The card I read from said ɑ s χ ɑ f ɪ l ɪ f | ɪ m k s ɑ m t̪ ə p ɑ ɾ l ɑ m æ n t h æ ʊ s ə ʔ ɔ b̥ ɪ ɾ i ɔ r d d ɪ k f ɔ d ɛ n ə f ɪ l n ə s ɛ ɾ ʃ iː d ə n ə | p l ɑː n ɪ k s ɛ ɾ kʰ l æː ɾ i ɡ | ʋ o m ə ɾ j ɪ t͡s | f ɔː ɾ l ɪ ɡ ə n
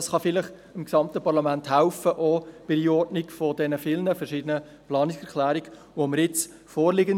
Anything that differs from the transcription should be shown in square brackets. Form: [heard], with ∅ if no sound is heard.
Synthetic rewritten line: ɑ s χ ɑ f ɪ l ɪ [χ] | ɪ m k s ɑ m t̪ ə p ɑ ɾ l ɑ m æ n t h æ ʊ [f] ə ʔ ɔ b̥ ɪ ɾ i ɔ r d [n] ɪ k f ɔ d ɛ n ə f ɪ l n ə [f] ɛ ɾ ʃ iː d ə n ə | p l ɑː n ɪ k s ɛ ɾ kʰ l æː ɾ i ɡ | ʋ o m ə ɾ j ɪ t͡s | f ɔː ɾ l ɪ ɡ ə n